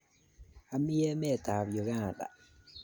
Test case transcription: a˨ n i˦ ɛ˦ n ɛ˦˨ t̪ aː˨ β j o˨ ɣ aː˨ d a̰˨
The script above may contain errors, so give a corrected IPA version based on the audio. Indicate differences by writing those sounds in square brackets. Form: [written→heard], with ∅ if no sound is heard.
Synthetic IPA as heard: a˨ [n→m] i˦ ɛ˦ [n→m] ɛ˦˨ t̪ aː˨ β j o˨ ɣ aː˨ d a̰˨